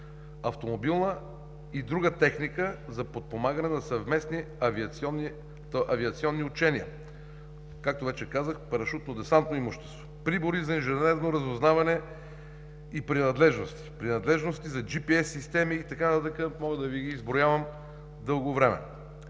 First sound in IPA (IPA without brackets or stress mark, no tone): ɐ